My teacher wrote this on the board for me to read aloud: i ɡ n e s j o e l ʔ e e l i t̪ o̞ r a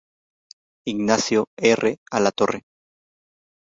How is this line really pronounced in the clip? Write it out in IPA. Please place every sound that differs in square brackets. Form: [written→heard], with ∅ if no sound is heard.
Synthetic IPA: i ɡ n [e→a] s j o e [l→r] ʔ e [e→a] l [i→a] t̪ o̞ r [a→e]